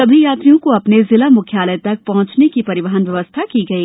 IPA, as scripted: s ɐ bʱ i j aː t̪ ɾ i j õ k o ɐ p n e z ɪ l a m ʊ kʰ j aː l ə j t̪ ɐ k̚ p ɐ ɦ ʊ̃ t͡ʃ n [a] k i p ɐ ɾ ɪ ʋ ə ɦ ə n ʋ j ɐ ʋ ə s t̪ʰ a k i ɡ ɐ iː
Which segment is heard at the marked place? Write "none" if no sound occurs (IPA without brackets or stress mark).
e